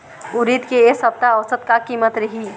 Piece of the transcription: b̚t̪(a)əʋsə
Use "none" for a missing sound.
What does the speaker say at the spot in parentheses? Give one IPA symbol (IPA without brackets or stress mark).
a